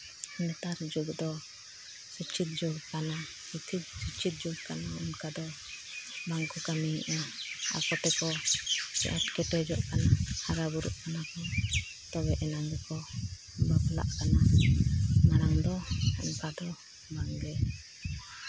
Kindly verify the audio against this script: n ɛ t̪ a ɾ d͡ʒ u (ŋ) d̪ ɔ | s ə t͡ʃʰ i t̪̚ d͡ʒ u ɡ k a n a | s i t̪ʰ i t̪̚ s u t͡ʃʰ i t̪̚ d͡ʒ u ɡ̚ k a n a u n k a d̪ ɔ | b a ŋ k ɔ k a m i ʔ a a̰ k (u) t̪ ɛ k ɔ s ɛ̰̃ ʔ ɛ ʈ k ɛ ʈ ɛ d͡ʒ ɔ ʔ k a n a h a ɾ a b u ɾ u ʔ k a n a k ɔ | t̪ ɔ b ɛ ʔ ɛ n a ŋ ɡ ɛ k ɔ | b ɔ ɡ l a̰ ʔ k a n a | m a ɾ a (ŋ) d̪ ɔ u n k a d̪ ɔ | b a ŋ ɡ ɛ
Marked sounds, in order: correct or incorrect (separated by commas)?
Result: incorrect, incorrect, correct